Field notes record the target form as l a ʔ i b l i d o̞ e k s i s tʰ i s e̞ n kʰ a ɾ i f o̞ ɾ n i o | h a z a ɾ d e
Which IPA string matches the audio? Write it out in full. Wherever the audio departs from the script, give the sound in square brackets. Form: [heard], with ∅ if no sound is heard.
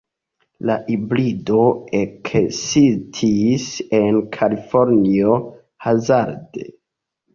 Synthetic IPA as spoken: l a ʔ i b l i d o̞ e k s i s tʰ i s e̞ n kʰ a [l] i f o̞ ɾ n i o | h a z a ɾ d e